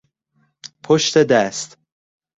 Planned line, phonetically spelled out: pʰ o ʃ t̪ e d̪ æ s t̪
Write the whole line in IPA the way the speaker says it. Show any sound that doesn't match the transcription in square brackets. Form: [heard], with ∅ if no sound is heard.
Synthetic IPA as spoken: pʰ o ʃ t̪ e d̪ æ s t̪